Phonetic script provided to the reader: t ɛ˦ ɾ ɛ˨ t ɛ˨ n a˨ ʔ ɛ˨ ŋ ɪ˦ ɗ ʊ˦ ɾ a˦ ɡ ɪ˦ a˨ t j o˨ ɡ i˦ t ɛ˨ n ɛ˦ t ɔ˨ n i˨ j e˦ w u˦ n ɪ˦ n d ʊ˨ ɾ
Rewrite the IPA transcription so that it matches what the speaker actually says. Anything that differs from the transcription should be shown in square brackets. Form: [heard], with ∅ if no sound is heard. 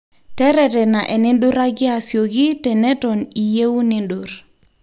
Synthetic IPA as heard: t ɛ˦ ɾ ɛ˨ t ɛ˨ n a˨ ʔ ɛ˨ [n] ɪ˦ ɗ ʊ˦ ɾ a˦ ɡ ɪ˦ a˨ [s] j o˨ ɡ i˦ t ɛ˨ n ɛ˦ t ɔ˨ n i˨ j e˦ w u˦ n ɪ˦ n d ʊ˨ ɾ